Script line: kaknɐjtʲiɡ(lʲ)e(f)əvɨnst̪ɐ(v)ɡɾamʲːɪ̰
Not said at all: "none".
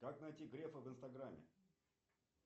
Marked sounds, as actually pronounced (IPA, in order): ɾʲ, f, none

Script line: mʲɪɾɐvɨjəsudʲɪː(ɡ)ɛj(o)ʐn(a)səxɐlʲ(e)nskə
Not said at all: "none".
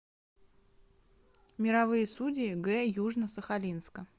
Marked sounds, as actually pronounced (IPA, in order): ɡ, u, ə, i

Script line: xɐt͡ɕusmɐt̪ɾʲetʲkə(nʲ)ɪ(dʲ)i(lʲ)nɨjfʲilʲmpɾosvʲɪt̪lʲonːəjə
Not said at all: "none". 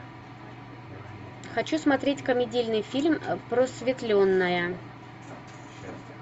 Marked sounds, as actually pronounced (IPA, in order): mʲ, dʲ, lʲ

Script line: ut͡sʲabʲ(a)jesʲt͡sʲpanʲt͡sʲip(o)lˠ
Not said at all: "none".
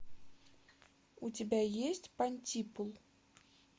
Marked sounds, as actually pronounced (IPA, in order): a, u

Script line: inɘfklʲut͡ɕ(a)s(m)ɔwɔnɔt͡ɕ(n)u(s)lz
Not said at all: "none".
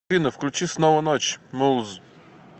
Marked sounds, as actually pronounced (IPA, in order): i, n, m, none

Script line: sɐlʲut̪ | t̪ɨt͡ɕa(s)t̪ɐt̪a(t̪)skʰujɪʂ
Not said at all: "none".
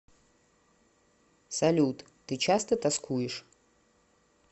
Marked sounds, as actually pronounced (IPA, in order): s, none

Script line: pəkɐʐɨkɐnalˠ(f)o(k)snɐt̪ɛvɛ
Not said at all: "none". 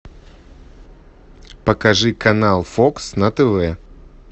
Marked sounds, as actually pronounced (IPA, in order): f, k

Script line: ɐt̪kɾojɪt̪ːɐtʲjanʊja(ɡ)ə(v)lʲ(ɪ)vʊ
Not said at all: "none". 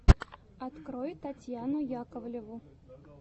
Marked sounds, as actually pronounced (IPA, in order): k, v, ɪ

